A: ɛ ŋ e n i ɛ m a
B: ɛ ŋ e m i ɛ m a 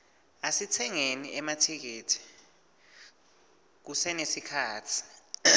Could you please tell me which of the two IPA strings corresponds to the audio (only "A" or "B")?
A